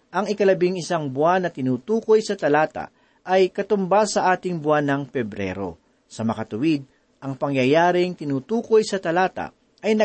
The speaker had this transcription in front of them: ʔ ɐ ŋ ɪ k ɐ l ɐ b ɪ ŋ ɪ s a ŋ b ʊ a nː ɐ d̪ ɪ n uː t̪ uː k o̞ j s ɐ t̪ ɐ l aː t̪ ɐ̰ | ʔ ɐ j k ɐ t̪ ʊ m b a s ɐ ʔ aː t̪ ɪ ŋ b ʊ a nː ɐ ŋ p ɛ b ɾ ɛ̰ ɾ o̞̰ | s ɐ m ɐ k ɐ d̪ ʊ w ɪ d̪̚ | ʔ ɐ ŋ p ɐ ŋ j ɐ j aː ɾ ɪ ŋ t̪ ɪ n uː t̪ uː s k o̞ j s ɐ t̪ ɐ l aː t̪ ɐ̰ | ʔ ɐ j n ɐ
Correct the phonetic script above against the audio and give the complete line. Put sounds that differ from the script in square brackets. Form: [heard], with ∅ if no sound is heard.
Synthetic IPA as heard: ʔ ɐ ŋ ɪ k ɐ l ɐ b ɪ ŋ ɪ s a ŋ b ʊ a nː ɐ [t̪] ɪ n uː t̪ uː k o̞ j s ɐ t̪ ɐ l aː t̪ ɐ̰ | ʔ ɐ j k ɐ t̪ ʊ m b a s ɐ ʔ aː t̪ ɪ ŋ b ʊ a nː ɐ ŋ p ɛ b ɾ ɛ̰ ɾ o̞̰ | s ɐ m ɐ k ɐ [t̪] ʊ w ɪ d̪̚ | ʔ ɐ ŋ p ɐ ŋ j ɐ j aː ɾ ɪ ŋ t̪ ɪ n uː t̪ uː [∅] k o̞ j s ɐ t̪ ɐ l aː t̪ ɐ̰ | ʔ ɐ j n ɐ